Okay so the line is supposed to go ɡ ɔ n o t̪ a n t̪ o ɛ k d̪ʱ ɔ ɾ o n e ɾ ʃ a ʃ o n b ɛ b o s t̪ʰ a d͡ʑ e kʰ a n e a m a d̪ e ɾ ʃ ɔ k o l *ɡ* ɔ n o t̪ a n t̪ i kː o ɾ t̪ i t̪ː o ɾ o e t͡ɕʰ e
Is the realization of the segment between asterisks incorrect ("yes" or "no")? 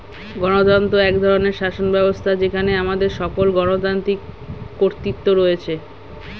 no